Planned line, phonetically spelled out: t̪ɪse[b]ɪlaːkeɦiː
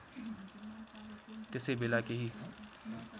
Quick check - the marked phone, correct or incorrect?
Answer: correct